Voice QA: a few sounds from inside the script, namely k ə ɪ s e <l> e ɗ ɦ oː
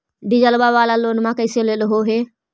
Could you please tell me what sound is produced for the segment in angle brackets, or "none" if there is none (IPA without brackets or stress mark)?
l